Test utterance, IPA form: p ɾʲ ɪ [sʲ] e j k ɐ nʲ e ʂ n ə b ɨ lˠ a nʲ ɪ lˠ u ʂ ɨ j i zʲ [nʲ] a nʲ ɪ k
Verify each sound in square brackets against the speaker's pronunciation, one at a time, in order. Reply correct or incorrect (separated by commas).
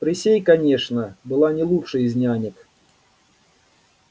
correct, correct